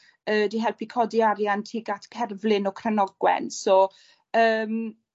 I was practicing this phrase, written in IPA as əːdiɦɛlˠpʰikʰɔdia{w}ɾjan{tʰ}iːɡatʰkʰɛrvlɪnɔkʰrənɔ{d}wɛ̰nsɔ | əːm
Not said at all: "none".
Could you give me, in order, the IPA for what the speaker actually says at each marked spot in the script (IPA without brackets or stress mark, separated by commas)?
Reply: none, tʰ, ɡ